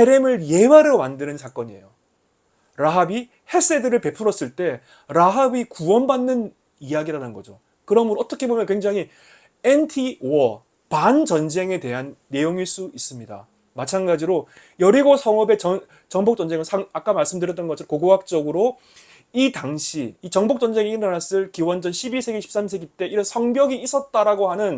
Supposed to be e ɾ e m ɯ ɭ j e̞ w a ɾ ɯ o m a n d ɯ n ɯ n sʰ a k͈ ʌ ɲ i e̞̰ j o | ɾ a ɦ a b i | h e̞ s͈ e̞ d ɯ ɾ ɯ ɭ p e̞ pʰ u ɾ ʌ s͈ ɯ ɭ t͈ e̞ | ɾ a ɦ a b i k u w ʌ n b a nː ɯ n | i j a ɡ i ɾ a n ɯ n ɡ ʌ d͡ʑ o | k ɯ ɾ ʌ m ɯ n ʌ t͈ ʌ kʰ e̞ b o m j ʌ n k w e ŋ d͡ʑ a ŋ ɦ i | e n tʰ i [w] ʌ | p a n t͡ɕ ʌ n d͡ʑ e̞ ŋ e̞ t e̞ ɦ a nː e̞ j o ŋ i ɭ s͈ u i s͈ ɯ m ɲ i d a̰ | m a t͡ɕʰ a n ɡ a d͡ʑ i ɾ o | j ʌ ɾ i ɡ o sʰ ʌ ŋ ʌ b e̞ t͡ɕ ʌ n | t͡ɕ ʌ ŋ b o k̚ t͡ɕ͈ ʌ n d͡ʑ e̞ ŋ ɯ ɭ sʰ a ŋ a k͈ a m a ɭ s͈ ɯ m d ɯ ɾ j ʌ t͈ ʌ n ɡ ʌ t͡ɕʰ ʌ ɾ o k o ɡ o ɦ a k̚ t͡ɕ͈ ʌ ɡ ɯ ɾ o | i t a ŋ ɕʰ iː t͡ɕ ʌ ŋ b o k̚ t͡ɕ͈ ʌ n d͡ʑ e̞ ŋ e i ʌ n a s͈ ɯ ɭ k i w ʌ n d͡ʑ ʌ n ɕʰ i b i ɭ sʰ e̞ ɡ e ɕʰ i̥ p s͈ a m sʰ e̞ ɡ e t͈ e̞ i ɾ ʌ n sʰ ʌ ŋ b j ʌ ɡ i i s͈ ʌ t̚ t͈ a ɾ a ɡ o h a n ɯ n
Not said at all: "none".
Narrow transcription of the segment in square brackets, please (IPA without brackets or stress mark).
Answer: w